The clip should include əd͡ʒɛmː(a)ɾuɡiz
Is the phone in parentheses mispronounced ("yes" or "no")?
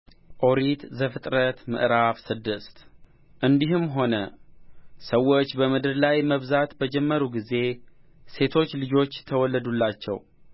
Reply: yes